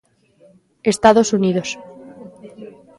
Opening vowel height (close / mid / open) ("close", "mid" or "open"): mid